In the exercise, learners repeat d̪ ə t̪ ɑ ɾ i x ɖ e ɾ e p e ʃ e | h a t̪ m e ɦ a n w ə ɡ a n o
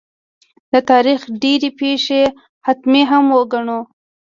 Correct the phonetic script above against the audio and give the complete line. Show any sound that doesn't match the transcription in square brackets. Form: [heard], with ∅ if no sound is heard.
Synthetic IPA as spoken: d̪ ə t̪ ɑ ɾ i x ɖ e ɾ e p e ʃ e | h a t̪ m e ɦ a [m] w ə ɡ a [ɳ] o